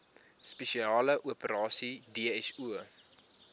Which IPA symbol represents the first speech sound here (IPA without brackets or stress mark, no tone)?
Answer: s